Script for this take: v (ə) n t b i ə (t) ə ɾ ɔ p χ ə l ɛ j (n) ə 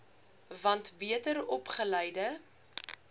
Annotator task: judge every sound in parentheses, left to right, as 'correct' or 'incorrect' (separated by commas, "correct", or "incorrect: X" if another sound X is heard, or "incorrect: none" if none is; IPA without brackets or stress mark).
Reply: incorrect: ɐ, correct, incorrect: d